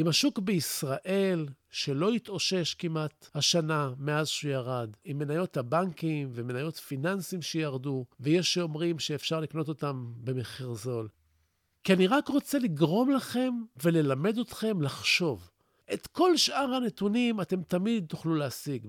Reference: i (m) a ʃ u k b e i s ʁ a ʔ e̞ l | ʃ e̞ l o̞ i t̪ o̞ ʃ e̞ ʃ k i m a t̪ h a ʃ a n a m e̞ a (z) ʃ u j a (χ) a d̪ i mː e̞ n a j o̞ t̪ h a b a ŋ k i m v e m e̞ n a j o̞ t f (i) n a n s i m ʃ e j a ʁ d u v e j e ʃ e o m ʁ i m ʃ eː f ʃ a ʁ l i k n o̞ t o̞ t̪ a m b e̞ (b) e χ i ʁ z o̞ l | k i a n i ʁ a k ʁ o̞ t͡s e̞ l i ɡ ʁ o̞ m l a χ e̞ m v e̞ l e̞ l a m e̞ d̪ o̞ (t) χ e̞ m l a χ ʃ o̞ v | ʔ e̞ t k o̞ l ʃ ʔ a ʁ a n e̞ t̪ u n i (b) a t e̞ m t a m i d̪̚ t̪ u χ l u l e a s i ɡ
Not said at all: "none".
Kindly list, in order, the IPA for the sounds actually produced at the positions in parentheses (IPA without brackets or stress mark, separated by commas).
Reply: m, z, ʁ, i, m, t, m